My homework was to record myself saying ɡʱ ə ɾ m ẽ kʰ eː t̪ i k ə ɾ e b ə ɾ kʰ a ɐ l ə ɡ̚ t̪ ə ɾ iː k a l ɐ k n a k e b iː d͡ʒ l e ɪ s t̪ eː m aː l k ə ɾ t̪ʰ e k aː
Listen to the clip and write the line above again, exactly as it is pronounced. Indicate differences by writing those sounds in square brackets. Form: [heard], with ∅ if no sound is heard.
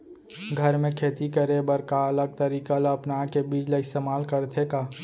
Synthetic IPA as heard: ɡʱ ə ɾ m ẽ kʰ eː t̪ i k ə ɾ e b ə ɾ [k] a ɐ l ə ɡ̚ t̪ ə ɾ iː k a l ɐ [p] n a k e b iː d͡ʒ l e ɪ s t̪ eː m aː l k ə ɾ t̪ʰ e k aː